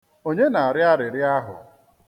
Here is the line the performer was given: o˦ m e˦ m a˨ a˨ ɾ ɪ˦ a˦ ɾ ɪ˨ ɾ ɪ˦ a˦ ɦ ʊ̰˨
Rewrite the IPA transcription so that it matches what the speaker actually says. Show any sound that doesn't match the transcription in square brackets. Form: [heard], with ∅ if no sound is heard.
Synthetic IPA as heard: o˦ [ɲ] e˦ [n] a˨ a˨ ɾ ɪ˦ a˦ ɾ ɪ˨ ɾ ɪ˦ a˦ ɦ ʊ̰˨